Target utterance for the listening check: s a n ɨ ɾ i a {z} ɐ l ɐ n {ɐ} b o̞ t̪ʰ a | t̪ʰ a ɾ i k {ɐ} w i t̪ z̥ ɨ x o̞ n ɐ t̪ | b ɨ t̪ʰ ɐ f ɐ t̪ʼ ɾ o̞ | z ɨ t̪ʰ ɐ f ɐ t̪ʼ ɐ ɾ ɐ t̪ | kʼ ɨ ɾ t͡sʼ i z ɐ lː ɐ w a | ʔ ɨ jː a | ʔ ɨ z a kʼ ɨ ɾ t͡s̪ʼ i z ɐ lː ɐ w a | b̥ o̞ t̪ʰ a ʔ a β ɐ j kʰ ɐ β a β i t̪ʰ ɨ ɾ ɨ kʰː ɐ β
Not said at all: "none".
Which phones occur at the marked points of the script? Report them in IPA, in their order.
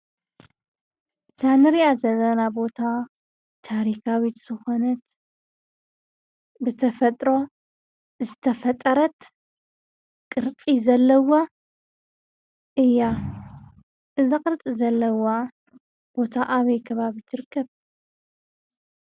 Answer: z, a, a

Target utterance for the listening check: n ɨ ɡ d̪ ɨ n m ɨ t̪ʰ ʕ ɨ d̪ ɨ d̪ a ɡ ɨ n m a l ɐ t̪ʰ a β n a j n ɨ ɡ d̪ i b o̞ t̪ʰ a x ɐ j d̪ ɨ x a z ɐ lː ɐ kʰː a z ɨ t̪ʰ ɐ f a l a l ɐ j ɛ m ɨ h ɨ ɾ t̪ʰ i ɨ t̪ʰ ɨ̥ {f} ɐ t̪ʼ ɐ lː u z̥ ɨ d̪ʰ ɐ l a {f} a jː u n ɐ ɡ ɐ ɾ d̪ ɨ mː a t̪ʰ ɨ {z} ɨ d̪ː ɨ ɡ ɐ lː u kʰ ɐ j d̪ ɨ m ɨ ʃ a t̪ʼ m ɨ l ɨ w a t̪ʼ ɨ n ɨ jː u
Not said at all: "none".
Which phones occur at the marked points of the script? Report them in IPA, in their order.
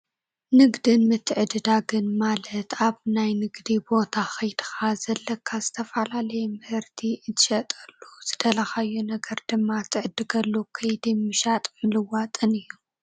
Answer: ʃ, x, ʕ

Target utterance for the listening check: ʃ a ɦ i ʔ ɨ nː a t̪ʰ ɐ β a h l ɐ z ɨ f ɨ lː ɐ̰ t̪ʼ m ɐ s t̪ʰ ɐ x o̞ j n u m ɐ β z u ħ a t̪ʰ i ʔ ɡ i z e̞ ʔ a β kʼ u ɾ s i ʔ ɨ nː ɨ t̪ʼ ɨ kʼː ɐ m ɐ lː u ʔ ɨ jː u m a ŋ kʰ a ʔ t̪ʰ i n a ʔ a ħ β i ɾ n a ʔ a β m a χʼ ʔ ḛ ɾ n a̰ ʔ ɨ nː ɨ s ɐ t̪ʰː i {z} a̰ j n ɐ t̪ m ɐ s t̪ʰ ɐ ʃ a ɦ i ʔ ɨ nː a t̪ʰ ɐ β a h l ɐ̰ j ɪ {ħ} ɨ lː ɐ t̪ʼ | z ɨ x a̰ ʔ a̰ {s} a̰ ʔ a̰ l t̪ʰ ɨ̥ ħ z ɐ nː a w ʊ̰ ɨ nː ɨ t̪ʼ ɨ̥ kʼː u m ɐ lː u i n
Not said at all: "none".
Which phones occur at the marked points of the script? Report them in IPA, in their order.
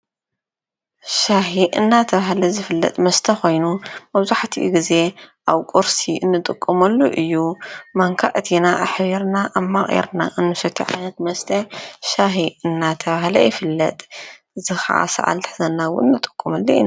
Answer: ʕ, f, s

